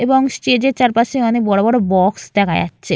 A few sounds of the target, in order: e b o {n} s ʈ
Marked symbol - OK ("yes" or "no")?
no